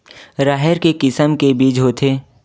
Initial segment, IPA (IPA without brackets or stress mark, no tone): ɾ